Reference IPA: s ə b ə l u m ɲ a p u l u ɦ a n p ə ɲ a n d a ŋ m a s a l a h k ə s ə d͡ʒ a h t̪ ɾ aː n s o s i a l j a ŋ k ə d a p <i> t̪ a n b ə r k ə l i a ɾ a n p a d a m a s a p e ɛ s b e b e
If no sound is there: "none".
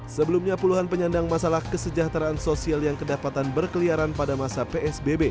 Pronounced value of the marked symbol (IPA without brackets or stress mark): a